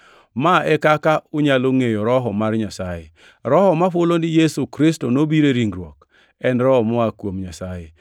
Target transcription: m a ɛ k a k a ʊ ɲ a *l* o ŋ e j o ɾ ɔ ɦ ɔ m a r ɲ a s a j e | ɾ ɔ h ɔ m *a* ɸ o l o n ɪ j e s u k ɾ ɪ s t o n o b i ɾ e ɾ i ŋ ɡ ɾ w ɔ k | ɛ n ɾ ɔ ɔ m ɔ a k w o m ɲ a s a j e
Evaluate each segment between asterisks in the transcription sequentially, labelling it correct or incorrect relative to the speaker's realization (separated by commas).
correct, correct